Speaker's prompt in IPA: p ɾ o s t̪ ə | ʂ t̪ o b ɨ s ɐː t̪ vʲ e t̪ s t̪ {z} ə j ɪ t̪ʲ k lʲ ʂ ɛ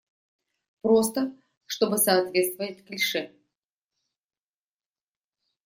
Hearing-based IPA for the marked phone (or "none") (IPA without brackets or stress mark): v